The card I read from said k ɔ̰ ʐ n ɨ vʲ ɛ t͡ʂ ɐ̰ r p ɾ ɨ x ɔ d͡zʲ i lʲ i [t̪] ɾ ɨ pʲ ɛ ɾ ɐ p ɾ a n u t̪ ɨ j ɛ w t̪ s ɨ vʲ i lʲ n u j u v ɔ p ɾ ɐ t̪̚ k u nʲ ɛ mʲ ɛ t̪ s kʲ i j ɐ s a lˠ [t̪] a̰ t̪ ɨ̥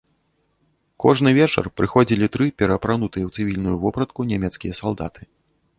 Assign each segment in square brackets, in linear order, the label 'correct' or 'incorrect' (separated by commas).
correct, incorrect